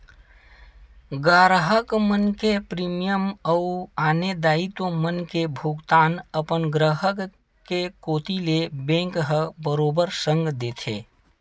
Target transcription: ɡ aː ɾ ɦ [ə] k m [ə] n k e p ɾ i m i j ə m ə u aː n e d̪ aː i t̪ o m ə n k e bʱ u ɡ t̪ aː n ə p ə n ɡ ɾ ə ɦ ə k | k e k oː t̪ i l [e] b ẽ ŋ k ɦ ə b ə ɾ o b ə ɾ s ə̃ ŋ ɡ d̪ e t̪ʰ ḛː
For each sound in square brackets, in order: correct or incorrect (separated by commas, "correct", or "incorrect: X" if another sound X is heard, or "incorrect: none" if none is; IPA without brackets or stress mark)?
correct, correct, correct